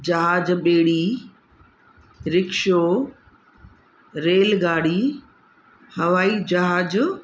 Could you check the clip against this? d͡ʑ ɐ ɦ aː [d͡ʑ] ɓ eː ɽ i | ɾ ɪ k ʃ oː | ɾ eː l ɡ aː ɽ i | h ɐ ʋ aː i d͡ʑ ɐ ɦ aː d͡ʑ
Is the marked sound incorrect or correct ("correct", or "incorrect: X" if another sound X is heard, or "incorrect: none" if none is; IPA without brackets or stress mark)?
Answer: correct